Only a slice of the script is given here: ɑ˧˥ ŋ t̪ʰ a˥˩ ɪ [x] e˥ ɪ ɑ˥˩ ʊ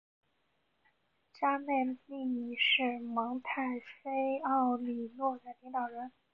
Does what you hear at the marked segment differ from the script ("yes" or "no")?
yes